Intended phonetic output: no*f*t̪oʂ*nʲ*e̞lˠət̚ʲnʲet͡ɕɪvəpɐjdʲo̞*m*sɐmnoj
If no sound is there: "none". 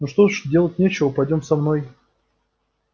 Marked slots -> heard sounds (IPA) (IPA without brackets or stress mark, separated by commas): ʂ, dʲ, m